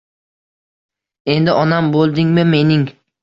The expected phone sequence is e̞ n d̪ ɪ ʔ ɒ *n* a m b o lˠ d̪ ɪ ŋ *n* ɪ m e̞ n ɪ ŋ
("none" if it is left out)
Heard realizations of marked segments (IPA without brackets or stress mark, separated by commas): n, m